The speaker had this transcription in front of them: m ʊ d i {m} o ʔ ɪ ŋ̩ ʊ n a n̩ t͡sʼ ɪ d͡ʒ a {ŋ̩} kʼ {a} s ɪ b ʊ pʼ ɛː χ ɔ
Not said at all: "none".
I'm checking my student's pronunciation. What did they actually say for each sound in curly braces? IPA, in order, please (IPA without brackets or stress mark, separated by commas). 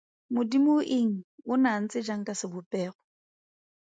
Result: m, ŋ̩, a